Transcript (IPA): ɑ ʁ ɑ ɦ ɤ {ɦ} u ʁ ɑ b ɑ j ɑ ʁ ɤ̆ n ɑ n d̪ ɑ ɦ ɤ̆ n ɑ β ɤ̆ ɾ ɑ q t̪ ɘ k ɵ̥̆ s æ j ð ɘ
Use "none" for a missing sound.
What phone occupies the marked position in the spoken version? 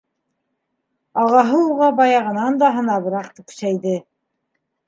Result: none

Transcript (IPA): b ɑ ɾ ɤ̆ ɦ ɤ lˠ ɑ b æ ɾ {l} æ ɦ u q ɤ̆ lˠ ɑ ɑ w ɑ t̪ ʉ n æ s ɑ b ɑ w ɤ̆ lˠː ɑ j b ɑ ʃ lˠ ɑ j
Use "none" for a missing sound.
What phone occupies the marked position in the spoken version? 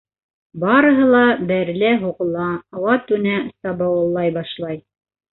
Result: l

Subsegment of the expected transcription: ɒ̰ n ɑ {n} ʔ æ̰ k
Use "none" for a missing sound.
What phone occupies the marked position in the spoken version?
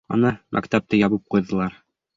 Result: m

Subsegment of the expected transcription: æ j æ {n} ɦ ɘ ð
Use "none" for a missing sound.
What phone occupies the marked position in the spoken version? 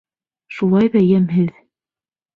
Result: m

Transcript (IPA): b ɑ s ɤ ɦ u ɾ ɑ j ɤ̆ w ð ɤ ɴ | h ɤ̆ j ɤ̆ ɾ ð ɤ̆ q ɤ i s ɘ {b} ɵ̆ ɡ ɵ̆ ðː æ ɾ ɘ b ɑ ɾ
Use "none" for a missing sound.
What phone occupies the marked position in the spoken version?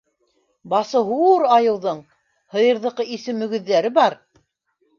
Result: m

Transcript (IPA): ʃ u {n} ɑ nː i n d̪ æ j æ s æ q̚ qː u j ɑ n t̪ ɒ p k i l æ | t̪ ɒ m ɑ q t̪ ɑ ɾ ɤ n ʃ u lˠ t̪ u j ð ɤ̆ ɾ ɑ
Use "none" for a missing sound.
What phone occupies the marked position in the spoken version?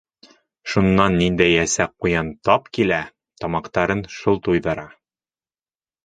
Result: nː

